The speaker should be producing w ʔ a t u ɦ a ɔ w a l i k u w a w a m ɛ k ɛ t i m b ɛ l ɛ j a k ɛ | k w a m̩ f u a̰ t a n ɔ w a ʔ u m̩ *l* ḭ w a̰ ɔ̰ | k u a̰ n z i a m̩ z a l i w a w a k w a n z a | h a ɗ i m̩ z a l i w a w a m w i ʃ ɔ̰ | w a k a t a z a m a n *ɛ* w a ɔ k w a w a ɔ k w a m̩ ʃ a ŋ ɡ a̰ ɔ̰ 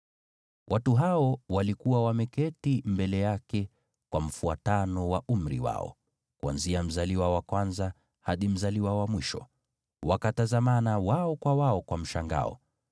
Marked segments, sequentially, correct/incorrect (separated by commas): incorrect, incorrect